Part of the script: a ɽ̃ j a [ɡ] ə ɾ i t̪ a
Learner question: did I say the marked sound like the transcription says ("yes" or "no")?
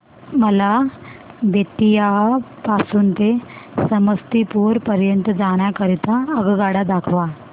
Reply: no